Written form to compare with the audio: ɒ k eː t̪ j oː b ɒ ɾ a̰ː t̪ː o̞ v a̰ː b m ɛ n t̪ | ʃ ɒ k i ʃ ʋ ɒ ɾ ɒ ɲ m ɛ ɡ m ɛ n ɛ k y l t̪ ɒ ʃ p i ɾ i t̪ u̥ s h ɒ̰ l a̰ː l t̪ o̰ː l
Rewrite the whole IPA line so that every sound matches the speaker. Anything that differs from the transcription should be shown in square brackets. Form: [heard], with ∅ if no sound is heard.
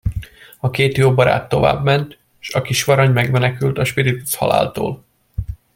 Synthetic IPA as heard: ɒ k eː t̪ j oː b ɒ ɾ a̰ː t̪ː o̞ v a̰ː b m ɛ n t̪ | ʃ ɒ k i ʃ ʋ ɒ ɾ ɒ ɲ m ɛ ɡ m ɛ n ɛ k y l t̪ ɒ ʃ p i ɾ i t̪ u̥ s h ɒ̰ l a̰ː l t̪ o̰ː l